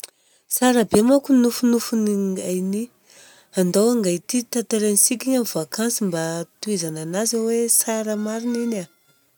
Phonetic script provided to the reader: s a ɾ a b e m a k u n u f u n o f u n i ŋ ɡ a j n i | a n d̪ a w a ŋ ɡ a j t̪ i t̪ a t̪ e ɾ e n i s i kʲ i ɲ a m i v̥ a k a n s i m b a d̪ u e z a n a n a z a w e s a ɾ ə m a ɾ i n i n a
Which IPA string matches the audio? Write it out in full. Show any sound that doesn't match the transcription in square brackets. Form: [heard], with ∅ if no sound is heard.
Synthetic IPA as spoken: s a ɾ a b e m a k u n u f u n [u] f u n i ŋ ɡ a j n i | a n d̪ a w a ŋ ɡ a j t̪ i t̪ a t̪ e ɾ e n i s i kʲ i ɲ a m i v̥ a k a n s i m b a [t̪] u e z a n a n a z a w e s a ɾ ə m a ɾ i n i n a